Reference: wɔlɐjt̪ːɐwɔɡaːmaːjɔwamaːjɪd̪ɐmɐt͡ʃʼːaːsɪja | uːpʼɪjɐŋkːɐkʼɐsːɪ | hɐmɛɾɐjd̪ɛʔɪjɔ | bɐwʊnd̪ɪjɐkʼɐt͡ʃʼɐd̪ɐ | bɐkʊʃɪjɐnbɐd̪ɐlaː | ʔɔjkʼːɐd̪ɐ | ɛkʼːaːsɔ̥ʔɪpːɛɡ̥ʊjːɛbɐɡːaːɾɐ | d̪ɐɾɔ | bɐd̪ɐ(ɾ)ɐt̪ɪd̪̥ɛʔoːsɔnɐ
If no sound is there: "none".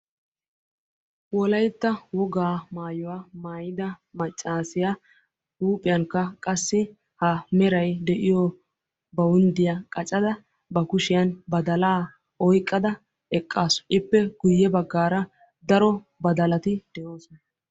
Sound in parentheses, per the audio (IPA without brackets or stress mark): l